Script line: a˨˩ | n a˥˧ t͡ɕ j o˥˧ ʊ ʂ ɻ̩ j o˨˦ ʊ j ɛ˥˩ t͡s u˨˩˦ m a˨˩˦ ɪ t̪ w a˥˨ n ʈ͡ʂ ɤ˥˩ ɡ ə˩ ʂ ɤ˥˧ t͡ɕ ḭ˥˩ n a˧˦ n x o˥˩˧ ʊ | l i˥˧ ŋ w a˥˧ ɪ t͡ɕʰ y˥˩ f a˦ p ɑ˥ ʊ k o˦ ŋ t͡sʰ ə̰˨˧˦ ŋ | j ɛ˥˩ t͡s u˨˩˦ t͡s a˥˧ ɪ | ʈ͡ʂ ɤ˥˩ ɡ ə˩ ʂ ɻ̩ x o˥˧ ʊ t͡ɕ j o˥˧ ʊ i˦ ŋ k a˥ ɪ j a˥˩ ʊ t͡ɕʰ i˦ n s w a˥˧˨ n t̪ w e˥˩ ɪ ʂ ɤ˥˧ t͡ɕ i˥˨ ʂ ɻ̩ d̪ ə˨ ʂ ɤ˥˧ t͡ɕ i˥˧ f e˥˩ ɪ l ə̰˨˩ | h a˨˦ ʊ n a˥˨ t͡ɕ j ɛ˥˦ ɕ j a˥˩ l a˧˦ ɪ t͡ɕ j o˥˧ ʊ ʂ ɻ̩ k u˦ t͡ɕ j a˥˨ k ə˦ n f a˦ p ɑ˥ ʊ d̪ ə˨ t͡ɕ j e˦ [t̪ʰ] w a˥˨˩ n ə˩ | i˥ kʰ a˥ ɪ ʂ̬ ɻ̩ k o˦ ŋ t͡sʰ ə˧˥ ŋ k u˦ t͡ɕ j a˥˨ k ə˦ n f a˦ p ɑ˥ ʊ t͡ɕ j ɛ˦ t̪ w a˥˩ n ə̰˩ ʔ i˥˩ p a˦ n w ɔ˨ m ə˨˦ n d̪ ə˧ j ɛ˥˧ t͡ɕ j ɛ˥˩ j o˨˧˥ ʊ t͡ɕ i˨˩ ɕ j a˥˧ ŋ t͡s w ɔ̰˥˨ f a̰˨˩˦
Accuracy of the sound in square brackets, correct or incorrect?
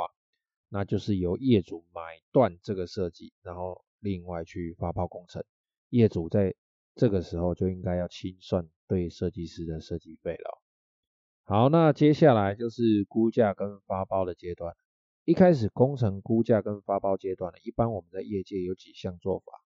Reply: incorrect